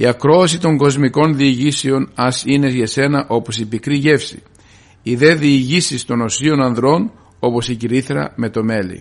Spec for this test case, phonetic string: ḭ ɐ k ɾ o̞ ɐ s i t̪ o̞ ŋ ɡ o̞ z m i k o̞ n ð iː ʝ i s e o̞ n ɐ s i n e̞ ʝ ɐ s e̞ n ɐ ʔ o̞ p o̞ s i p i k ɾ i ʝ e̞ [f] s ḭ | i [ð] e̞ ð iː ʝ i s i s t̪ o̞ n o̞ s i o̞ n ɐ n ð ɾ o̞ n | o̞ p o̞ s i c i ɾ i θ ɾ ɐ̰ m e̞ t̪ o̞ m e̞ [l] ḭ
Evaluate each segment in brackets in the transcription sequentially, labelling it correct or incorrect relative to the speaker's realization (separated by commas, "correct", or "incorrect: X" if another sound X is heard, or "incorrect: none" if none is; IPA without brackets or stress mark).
correct, correct, correct